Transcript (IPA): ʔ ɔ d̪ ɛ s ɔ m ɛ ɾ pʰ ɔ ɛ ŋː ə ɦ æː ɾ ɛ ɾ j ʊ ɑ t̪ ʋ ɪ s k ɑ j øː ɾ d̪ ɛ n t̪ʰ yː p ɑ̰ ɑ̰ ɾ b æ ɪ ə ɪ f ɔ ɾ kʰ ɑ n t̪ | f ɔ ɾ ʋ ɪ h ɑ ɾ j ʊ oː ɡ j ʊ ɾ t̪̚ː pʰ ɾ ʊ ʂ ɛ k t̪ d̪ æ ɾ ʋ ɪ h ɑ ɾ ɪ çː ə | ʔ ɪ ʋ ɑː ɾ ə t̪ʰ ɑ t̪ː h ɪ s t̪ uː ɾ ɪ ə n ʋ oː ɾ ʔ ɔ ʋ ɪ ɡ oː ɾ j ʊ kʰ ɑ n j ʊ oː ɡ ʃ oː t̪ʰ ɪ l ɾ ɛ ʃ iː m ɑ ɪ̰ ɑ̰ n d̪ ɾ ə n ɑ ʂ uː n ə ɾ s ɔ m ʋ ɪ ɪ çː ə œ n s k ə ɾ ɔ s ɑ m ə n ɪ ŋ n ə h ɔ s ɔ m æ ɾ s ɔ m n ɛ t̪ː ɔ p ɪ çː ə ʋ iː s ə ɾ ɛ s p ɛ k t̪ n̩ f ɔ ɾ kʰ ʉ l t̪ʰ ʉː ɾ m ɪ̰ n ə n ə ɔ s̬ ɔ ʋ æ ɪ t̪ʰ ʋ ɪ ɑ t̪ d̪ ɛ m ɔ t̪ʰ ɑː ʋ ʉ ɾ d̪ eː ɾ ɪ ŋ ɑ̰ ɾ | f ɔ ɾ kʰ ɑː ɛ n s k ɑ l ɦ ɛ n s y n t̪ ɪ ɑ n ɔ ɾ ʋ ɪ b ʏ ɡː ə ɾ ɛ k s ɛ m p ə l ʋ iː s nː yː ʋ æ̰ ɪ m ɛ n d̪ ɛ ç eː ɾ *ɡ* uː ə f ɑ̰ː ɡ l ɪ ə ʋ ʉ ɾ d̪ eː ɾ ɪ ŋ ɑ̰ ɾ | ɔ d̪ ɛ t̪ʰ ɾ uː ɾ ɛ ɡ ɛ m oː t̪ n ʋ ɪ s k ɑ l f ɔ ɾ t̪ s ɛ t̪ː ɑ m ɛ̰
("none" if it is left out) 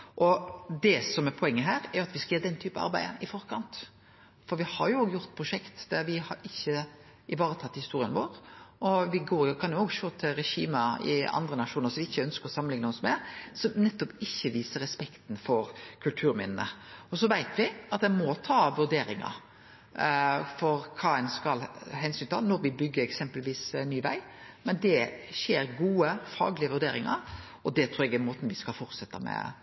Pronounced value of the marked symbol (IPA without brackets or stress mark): ɡ